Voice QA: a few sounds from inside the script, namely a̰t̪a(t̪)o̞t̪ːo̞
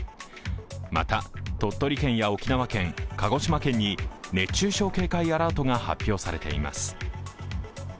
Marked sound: correct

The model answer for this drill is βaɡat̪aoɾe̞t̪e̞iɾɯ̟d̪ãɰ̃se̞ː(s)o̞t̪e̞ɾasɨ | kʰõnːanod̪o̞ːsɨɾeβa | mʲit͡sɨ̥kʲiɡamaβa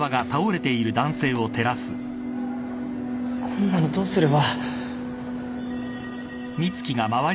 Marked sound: incorrect: none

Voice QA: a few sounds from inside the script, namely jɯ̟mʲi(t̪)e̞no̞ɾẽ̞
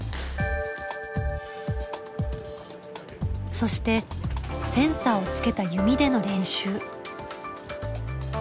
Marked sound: incorrect: d̪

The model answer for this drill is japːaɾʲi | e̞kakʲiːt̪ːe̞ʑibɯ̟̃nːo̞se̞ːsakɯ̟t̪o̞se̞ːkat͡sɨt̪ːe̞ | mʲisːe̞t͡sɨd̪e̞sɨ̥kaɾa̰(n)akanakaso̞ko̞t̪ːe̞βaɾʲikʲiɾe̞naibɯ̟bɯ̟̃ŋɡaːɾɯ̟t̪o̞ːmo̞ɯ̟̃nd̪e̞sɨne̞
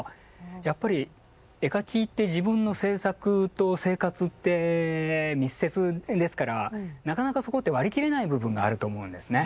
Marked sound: correct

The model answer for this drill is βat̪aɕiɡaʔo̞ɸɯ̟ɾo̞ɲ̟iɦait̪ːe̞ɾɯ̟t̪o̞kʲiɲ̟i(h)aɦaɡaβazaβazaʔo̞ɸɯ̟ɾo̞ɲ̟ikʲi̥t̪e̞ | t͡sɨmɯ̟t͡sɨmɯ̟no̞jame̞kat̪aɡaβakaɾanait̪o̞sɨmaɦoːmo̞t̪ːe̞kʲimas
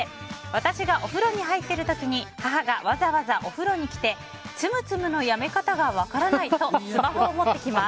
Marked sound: correct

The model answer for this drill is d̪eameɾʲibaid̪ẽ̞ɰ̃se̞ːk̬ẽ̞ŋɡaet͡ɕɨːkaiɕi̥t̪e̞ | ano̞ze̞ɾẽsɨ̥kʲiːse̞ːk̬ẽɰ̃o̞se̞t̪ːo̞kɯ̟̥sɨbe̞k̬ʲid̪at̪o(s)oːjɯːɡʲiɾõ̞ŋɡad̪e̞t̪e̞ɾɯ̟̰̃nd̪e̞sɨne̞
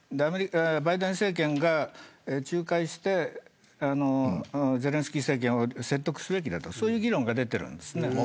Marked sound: correct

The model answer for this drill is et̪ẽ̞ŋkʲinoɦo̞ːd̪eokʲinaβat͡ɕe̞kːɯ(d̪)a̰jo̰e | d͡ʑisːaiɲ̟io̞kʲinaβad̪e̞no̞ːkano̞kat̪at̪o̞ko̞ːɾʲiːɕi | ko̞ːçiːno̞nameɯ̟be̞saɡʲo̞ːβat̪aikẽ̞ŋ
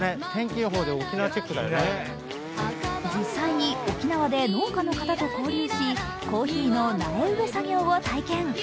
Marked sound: correct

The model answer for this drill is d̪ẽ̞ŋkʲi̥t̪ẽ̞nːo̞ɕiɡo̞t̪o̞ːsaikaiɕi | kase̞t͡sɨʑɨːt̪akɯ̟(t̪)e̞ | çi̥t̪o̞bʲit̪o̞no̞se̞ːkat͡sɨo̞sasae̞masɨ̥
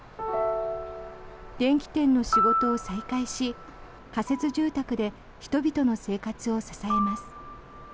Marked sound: incorrect: d̪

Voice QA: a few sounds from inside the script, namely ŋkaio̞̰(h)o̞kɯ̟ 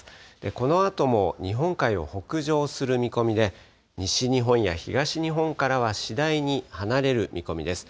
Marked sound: correct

